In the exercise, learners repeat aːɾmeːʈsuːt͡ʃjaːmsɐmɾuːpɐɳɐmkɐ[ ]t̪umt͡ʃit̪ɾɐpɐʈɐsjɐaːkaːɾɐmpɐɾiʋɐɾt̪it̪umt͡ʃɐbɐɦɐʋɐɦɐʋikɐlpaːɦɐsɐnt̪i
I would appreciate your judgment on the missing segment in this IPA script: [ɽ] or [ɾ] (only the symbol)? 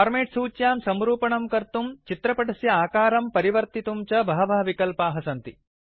ɾ